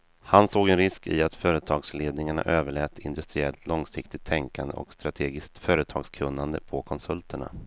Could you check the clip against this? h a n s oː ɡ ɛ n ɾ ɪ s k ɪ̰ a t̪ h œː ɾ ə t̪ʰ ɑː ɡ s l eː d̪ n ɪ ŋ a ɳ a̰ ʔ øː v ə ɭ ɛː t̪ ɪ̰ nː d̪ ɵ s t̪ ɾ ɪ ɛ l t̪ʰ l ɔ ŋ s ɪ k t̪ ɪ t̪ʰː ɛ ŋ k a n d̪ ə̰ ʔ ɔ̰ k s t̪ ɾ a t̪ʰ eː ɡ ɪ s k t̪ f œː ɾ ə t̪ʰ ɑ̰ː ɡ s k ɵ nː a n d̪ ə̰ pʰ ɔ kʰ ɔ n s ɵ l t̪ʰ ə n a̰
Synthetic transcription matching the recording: h a n s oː ɡ ɛ n ɾ ɪ s k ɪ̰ a t̪ f œː ɾ ə t̪ʰ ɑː ɡ s l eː d̪ n ɪ ŋ a ɳ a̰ ʔ øː v ə ɭ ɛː t̪ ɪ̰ n d̪ ɵ s t̪ ɾ ɪ ɛ l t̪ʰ l ɔ ŋ s ɪ k t̪ ɪ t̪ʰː ɛ ŋ k a n d̪ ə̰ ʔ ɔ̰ k s t̪ ɾ a t̪ʰ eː ɡ ɪ s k t̪ f œː ɾ ə t̪ʰ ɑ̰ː ɡ s kʰ ɵ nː a n d̪ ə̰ pʰ ɔ kʰ ɔ n s ɵ l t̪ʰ ə ɳ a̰